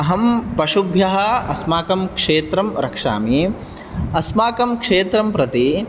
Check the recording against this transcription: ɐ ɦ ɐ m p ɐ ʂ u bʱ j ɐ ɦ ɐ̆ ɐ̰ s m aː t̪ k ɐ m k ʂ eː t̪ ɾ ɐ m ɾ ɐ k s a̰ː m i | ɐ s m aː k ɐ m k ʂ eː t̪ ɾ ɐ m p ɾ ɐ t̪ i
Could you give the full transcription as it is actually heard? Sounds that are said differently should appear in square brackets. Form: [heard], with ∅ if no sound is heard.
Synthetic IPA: ɐ ɦ ɐ m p ɐ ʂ u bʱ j ɐ ɦ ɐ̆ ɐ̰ s m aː [∅] k ɐ m k ʂ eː t̪ ɾ ɐ m ɾ ɐ k [ʂ] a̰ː m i | ɐ s m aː k ɐ m k ʂ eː t̪ ɾ ɐ m p ɾ ɐ t̪ i